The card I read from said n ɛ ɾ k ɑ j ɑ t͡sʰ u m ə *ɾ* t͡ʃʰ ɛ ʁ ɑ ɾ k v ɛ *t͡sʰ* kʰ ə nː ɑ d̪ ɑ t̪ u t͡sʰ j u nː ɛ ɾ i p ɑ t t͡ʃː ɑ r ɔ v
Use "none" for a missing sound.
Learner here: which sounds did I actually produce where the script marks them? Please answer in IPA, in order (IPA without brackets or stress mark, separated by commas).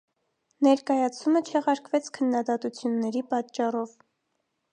none, t͡sʰ